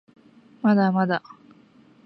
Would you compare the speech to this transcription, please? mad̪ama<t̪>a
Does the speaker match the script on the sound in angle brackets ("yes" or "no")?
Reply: no